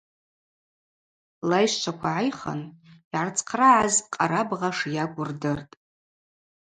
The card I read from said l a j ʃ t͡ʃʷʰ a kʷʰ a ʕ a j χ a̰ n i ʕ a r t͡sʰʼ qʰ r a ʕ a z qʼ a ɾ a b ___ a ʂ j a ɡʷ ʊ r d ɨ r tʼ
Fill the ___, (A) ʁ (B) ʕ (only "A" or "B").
A